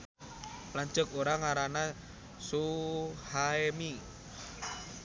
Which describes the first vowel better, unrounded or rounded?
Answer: unrounded